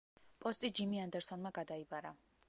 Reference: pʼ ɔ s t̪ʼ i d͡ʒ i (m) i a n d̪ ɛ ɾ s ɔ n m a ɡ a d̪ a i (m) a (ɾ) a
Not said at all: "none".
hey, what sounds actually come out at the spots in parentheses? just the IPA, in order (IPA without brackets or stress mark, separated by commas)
m, b, ɾ